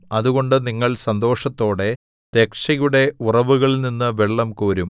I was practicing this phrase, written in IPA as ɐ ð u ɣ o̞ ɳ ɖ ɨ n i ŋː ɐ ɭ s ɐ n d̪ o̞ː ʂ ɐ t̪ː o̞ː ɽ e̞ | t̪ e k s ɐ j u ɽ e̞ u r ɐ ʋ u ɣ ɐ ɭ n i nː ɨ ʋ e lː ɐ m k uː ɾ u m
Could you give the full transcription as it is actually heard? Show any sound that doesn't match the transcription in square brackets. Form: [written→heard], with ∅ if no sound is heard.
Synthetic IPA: ɐ ð u ɣ o̞ ɳ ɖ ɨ n i ŋː ɐ ɭ s ɐ n d̪ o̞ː ʂ ɐ t̪ː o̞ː ɽ e̞ | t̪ e k [s→ʂ] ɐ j u ɽ e̞ u r ɐ ʋ u ɣ ɐ ɭ n i nː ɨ ʋ e [lː→ɭː] ɐ m k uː ɾ u m